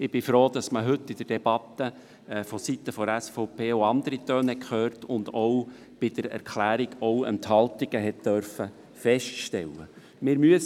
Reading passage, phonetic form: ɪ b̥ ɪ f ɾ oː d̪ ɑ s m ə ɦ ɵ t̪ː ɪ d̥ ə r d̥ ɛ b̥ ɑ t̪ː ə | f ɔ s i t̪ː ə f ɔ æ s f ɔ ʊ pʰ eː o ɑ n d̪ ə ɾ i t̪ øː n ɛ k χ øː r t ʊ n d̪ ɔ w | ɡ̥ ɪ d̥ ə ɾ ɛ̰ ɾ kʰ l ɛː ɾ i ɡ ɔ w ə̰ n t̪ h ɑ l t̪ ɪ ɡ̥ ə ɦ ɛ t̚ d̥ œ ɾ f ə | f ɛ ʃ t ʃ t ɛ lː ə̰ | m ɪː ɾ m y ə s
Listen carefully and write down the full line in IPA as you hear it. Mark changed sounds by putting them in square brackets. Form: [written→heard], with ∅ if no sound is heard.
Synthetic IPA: ɪ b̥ ɪ f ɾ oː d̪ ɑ s m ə ɦ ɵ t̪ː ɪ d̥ ə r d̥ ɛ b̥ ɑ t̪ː ə | f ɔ s i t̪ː ə f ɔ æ s f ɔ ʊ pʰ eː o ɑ n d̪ ə ɾ i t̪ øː n ɛ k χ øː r t ʊ n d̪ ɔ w | [ɡ̥→b̥] ɪ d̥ ə ɾ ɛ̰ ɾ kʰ l [ɛː→æː] ɾ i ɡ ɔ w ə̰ n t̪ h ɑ l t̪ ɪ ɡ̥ ə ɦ ɛ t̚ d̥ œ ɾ f ə | f ɛ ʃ t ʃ t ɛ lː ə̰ | m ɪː ɾ m y ə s

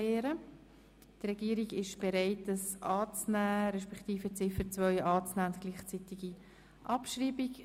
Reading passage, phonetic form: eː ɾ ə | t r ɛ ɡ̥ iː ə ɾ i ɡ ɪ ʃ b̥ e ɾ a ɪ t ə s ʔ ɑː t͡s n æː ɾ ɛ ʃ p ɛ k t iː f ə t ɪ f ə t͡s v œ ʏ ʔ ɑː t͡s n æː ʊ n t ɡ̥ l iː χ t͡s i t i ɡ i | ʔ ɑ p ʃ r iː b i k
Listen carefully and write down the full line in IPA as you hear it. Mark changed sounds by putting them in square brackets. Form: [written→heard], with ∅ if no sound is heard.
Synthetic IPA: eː ɾ ə | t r ɛ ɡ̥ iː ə ɾ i ɡ ɪ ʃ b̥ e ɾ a ɪ t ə s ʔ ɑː t͡s n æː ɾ ɛ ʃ p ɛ k t iː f ə [t→t͡s] ɪ f ə t͡s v œ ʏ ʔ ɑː t͡s n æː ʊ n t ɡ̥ l iː χ t͡s i t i ɡ i | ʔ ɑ p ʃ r iː b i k

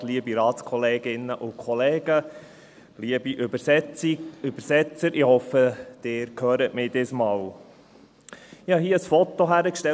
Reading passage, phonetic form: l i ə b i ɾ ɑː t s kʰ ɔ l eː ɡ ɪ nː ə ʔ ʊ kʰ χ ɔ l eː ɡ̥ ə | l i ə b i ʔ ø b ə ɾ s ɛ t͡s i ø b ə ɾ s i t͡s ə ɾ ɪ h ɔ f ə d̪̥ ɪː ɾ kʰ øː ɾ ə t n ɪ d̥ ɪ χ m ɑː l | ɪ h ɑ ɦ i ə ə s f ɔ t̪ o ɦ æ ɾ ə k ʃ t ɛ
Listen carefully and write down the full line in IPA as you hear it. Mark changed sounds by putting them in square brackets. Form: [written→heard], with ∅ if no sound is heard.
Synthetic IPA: l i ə b i ɾ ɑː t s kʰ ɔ l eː ɡ ɪ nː ə ʔ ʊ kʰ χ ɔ l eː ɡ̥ ə | l i ə b i ʔ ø b ə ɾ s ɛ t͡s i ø b ə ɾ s [i→ɛ] t͡s ə ɾ ɪ h ɔ f ə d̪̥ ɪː ɾ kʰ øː ɾ ə t [n→m] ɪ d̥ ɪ [χ→s] m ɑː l | ɪ h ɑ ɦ i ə ə s f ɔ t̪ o ɦ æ ɾ ə k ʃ t ɛ

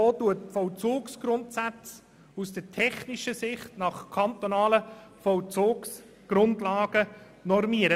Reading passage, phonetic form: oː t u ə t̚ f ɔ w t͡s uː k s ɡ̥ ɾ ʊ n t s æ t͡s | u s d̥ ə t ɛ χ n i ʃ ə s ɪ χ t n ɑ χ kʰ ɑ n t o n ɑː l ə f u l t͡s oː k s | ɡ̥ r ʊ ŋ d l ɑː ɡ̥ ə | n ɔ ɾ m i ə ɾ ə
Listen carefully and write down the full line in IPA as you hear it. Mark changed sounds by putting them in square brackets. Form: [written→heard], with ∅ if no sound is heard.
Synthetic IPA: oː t u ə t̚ f ɔ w t͡s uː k s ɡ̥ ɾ ʊ n t s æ t͡s | u s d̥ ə [t→tʰ] ɛ χ n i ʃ ə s ɪ χ t n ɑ χ kʰ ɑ n t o n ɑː l ə f [u→ɔ] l t͡s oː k s | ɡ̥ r ʊ [ŋ→n] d l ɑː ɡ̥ ə | n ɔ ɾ m i ə ɾ ə

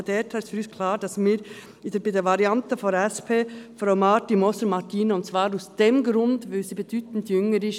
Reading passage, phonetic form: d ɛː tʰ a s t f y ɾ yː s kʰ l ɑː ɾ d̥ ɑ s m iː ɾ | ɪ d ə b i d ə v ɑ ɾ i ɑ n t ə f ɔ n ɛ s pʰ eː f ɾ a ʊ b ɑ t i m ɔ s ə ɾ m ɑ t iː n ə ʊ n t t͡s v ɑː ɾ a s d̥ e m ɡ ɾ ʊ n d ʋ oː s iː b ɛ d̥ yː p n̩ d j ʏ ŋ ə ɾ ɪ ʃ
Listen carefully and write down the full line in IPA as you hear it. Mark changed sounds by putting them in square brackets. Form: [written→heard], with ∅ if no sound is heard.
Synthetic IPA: d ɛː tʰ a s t f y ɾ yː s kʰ l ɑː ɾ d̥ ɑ s m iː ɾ | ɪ d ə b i d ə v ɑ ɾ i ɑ n t ə f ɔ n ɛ s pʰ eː f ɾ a ʊ [b→m] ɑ t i m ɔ s ə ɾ m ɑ t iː n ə ʊ n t t͡s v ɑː ɾ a s d̥ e m ɡ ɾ ʊ n d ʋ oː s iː b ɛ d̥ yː [p→t] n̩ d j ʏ ŋ ə ɾ ɪ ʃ

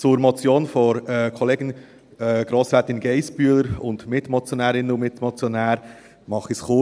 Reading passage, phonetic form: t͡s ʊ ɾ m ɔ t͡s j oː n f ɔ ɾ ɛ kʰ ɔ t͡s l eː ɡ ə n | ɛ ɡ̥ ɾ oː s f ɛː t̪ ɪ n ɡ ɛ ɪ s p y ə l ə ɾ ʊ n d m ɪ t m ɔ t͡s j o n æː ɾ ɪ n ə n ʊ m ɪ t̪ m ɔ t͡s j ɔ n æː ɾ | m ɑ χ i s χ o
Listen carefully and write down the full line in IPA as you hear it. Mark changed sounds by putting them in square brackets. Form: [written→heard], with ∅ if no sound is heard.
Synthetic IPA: t͡s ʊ ɾ m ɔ t͡s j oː n f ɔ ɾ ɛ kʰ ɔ [t͡s→∅] l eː ɡ ə n | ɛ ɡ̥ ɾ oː s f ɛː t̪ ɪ n ɡ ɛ ɪ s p y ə l ə ɾ ʊ n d m ɪ t m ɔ t͡s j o n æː ɾ ɪ n ə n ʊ m ɪ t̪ m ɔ t͡s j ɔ n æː ɾ | m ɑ χ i s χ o

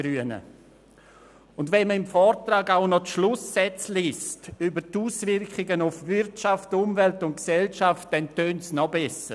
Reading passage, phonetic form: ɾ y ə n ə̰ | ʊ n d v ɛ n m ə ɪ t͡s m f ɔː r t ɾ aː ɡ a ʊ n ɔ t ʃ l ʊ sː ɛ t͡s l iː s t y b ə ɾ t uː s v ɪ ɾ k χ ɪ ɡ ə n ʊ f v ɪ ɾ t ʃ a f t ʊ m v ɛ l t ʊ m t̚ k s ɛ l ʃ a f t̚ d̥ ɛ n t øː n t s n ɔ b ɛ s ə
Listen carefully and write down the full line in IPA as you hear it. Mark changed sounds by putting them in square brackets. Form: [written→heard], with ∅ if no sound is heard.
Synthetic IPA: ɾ y ə n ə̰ | ʊ n d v ɛ n m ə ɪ [t͡s→∅] m f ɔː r t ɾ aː ɡ a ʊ n ɔ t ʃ l ʊ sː ɛ t͡s l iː s t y b ə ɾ t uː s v ɪ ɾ k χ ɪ ɡ ə n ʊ f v ɪ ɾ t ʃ a f t ʊ m v ɛ l t ʊ [m→n] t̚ k s ɛ l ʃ a f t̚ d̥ ɛ n t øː n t s n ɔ b ɛ s ə

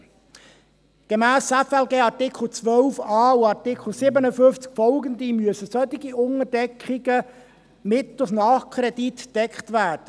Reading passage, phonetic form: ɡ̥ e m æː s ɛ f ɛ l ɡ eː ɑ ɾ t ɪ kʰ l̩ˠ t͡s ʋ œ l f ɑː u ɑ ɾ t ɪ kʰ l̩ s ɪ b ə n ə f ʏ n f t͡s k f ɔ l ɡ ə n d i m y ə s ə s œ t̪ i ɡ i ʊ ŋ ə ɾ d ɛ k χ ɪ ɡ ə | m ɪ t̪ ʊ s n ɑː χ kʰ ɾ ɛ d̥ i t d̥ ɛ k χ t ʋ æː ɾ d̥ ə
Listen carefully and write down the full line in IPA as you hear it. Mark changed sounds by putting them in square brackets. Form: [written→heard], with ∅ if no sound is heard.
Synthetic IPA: ɡ̥ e m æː s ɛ f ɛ l ɡ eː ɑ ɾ t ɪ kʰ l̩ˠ t͡s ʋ œ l f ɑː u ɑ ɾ t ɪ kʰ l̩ s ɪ b ə n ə f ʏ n f t͡s k f ɔ l ɡ ə n d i m y ə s ə s œ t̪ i ɡ i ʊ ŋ ə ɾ d ɛ k χ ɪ ɡ ə | m ɪ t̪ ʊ s n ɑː χ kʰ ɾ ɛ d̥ i t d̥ ɛ k χ t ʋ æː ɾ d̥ ə

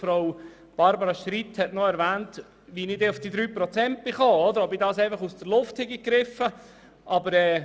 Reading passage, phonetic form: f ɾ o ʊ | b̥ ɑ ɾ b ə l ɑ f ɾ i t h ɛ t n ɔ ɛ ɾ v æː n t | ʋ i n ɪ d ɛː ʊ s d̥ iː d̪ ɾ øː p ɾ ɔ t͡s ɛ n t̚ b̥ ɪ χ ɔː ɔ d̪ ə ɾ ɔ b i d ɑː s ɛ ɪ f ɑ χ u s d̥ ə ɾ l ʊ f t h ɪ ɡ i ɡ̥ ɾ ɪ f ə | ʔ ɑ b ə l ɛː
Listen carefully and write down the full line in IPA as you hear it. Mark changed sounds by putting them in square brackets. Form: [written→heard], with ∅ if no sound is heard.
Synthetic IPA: f ɾ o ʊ | b̥ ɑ ɾ b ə [l→ɾ] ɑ [f→ʃ] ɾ i t h ɛ t n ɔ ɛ ɾ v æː n t | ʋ i n ɪ d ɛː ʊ [s→f] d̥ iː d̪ ɾ [øː→yː] p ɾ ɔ t͡s ɛ n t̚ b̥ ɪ χ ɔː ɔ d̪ ə ɾ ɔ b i d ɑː s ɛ ɪ f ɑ χ u s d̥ ə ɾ l ʊ f t h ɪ ɡ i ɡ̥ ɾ ɪ f ə | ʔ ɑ b ə [l→ɾ] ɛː

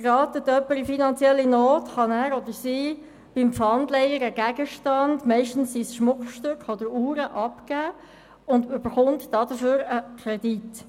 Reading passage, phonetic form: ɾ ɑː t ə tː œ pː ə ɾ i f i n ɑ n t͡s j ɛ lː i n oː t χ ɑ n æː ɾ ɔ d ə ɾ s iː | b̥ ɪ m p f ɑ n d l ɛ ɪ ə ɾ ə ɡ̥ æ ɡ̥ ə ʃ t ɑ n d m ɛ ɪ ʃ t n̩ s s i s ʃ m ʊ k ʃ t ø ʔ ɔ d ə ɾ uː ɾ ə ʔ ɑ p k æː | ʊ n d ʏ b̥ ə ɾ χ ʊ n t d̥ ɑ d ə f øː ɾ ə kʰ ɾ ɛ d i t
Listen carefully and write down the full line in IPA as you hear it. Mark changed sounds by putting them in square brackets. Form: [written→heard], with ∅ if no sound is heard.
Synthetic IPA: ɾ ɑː t ə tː œ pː ə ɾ i f i n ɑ n t͡s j ɛ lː i n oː t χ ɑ n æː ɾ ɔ d ə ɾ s iː | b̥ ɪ m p f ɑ n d l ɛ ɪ ə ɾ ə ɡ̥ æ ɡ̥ ə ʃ t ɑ n d m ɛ ɪ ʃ t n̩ s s i s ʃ m ʊ k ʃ t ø [ʔ→k] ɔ d ə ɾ uː ɾ ə ʔ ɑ p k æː | ʊ n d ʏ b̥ ə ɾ χ ʊ n t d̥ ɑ d ə f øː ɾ ə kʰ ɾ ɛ d i t

